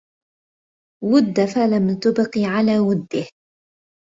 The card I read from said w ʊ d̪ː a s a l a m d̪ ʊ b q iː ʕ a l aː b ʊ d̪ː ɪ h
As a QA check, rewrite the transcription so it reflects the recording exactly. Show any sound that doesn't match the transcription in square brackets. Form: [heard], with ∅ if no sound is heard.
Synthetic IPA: w ʊ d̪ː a [f] a l a m [t̪] ʊ b q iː ʕ a l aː [w] ʊ d̪ː ɪ h